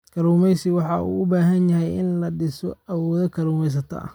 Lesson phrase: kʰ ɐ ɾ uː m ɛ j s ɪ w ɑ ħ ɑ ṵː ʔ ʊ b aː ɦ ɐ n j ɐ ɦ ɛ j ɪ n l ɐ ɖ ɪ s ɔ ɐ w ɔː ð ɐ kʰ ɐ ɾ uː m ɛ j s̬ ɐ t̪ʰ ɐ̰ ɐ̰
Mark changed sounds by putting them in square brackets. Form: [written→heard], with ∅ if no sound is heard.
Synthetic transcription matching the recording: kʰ ɐ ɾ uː m ɛ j s ɪ w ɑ ħ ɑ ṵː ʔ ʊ b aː ɦ ɐ n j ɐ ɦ ɛ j ɪ n l ɐ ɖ ɪ s ɔ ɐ w ɔː ð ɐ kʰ ɐ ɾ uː m ɛ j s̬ ɐ t̪ʰ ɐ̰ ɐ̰